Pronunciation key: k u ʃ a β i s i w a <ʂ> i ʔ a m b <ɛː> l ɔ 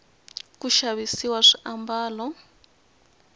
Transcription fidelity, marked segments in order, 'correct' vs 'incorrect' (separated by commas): correct, incorrect